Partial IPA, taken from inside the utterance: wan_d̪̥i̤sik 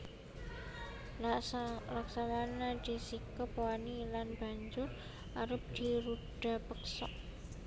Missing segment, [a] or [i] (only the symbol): a